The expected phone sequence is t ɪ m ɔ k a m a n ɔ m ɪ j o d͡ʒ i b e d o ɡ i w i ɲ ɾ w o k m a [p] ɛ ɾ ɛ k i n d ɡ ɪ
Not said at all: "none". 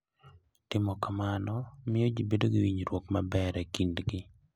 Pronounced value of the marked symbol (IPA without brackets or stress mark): b